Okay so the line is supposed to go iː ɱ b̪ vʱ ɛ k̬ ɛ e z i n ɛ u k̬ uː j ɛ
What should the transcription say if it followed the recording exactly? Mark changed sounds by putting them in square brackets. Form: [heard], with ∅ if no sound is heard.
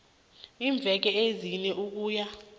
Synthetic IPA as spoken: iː ɱ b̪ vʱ ɛ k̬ ɛ e z i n ɛ u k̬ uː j [a]